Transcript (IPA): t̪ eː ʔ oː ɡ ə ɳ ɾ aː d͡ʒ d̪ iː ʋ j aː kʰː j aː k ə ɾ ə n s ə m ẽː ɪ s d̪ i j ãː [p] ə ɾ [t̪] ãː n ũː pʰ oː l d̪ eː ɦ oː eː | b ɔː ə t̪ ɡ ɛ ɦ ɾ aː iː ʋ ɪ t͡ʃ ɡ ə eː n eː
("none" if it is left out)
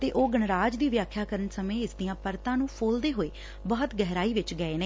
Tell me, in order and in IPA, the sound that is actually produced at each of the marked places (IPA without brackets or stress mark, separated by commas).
p, t̪